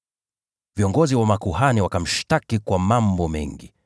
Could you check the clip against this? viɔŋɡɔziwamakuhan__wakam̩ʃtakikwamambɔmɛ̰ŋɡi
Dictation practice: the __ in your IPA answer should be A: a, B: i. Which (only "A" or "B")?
B